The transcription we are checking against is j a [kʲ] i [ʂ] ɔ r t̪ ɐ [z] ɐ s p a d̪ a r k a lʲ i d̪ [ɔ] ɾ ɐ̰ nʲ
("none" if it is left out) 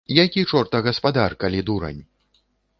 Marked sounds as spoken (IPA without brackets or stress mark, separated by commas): kʲ, t͡ʂ, ɣ, u